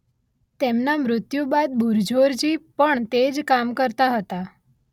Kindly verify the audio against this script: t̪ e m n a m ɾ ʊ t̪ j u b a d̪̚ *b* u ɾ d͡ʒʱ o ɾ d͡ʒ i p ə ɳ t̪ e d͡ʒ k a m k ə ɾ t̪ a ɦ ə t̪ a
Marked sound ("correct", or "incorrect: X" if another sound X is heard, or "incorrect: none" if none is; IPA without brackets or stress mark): correct